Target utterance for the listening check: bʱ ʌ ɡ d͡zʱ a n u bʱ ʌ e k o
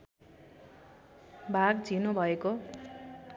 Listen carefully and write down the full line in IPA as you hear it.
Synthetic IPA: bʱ a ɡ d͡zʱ i n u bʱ ʌ e k o